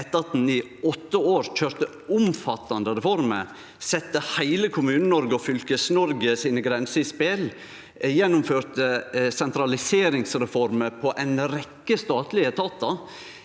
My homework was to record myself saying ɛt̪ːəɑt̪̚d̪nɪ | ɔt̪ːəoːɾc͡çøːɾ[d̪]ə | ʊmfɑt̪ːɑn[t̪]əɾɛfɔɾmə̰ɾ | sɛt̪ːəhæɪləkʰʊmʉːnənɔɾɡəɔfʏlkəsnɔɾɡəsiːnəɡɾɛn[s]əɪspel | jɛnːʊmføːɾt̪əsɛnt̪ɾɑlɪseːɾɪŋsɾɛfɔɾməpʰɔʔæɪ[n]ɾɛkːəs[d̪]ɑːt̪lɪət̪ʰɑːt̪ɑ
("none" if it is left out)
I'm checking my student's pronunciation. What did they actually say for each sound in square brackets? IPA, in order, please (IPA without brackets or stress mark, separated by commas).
t̪, d̪, s, n, t̪